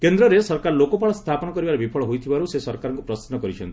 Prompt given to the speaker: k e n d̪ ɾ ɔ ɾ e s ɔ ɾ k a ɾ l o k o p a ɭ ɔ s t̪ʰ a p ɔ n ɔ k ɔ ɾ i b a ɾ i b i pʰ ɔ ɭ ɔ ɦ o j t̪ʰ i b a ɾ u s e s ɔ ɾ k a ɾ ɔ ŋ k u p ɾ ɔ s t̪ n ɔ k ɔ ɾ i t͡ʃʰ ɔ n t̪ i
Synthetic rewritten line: k e n d̪ ɾ ɔ ɾ e s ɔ ɾ k a ɾ l o k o p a ɭ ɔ s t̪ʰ a p ɔ n ɔ k ɔ ɾ i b a ɾ e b i pʰ ɔ ɭ ɔ ɦ o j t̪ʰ i b a ɾ u s e s ɔ ɾ k a ɾ ɔ ŋ k u p ɾ ɔ s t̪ n ɔ k ɔ ɾ i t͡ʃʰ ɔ n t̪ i